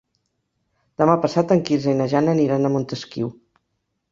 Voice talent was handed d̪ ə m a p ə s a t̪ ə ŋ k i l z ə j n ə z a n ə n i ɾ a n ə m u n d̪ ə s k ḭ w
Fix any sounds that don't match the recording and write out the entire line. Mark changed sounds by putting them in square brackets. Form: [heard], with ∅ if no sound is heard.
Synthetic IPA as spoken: d̪ ə m a p ə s a t̪ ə ŋ k i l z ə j n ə [ʒ] a n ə n i ɾ a n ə m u n [t̪] ə s k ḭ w